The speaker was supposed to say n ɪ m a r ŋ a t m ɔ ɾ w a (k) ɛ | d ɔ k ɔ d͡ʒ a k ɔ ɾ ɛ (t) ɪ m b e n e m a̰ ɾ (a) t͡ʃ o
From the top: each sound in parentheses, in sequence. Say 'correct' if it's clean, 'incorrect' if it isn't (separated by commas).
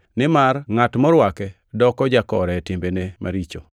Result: correct, correct, incorrect